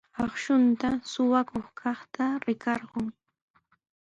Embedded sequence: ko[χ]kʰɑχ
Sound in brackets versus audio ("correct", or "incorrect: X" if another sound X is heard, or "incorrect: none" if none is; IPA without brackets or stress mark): correct